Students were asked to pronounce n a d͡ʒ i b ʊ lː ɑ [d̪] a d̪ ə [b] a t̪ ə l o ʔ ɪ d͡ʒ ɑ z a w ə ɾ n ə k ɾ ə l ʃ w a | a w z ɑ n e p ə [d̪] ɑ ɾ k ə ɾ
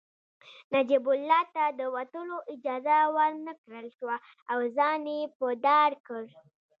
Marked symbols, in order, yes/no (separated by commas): no, no, yes